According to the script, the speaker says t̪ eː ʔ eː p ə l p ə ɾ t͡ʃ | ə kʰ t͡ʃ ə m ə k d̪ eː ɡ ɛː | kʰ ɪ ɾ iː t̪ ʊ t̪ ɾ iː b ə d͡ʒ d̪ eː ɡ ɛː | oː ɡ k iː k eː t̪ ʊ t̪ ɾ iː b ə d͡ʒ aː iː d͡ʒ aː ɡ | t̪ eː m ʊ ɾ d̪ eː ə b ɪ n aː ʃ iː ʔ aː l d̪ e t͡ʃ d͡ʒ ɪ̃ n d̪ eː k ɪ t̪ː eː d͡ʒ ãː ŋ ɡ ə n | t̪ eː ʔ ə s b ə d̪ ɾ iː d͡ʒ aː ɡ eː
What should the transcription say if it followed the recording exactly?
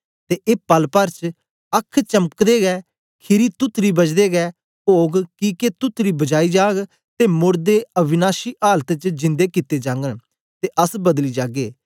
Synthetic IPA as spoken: t̪ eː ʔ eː p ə l p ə ɾ t͡ʃ | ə kʰ t͡ʃ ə m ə k d̪ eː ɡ ɛː | kʰ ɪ ɾ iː t̪ ʊ t̪ ɾ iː b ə d͡ʒ d̪ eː ɡ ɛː | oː ɡ k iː k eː t̪ ʊ t̪ ɾ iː b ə d͡ʒ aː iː d͡ʒ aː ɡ | t̪ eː m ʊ ɾ d̪ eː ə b ɪ n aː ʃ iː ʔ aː l t̪ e t͡ʃ d͡ʒ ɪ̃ n d̪ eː k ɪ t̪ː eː d͡ʒ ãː ŋ ɡ ə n | t̪ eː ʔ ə s b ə d̪ l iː d͡ʒ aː ɡ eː